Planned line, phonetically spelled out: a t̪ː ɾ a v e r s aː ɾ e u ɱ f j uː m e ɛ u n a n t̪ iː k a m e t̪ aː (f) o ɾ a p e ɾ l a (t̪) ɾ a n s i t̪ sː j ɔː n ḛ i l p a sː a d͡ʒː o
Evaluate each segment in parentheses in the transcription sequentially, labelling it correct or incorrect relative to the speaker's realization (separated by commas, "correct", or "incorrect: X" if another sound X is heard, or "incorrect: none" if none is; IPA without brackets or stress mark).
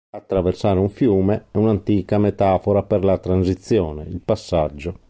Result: correct, correct